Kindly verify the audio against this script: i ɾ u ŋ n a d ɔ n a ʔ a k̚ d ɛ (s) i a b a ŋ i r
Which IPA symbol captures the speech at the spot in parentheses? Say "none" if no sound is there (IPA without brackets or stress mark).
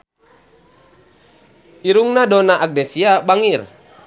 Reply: s